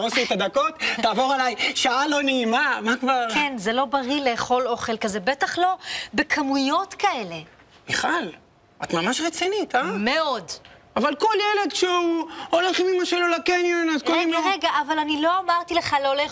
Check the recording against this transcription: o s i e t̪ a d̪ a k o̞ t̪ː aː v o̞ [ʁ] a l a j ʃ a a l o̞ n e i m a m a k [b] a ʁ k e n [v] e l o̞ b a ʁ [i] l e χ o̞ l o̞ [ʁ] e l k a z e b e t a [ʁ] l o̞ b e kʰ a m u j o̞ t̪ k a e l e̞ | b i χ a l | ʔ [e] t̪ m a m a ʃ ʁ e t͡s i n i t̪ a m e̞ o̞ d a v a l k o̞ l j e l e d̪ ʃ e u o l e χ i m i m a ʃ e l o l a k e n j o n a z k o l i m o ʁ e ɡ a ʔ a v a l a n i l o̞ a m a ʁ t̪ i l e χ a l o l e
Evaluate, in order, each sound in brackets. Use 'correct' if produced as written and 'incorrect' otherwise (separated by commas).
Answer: correct, incorrect, incorrect, correct, incorrect, incorrect, incorrect